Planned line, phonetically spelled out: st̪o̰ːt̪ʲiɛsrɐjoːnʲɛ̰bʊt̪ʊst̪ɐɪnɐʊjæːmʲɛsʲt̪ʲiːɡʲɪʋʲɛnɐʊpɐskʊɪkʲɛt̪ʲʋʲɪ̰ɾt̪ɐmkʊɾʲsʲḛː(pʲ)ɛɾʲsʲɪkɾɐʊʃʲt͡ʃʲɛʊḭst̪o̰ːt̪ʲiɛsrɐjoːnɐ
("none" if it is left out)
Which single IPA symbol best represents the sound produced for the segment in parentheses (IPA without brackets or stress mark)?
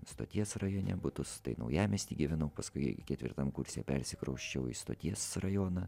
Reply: pʲ